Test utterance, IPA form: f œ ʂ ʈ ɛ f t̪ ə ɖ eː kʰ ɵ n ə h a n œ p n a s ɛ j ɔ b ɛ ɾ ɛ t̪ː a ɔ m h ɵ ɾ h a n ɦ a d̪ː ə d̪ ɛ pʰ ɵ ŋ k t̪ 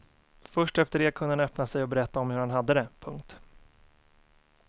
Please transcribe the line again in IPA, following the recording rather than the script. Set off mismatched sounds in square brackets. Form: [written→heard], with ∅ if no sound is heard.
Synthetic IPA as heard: f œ ʂ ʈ ɛ f t̪ ə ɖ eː kʰ ɵ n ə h a n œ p n a s ɛ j ɔ b ɛ ɾ ɛ t̪ː a ɔ m h ɵ ɾ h a n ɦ a d̪ː ə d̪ ɛ pʰ ɵ ŋ k t̪